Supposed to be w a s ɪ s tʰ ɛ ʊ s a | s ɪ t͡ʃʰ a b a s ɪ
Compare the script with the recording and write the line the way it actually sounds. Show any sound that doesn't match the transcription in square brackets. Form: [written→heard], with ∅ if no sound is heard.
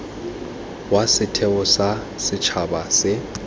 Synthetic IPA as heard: w a s ɪ [s→∅] tʰ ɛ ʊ s a | s ɪ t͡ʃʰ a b a s ɪ